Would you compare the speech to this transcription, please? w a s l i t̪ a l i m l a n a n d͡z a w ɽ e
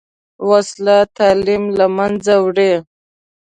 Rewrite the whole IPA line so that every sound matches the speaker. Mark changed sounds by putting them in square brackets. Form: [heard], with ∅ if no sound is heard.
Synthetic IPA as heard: w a s l [a] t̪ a l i m l a [m] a n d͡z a w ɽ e